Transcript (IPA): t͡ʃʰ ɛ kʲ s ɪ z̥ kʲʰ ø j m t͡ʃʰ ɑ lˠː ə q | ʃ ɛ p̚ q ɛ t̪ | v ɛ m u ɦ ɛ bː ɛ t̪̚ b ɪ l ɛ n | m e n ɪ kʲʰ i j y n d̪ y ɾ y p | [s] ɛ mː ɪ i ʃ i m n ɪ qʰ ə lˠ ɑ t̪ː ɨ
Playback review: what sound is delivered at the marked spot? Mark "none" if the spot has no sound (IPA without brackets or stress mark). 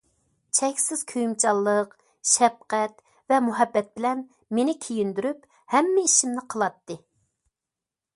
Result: h